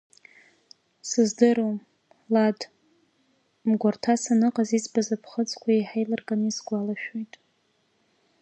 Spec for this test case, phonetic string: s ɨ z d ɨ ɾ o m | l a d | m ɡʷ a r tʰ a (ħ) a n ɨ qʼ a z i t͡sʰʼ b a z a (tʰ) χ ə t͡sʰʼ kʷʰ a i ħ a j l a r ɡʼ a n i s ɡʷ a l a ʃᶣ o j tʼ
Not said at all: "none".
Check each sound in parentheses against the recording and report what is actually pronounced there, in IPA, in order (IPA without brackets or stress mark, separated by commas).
s, pʰ